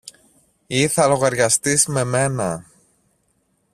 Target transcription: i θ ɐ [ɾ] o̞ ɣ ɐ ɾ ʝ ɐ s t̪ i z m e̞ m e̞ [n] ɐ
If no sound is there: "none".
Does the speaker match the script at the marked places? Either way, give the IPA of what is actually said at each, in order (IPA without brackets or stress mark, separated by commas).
l, n